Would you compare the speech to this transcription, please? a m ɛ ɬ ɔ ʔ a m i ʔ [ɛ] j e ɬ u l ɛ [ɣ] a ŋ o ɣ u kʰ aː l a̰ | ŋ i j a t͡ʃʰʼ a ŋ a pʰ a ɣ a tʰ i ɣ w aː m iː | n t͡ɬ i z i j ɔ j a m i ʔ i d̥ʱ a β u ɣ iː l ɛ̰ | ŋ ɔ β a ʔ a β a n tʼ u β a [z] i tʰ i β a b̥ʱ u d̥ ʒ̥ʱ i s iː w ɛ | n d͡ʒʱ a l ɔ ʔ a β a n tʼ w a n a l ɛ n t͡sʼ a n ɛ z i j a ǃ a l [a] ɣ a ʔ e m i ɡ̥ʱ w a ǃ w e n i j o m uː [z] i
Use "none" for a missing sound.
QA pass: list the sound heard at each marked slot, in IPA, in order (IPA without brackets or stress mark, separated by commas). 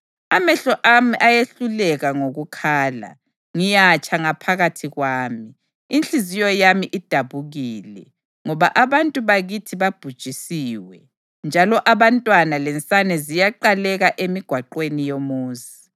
a, ɣ, ɣ, ɛ, z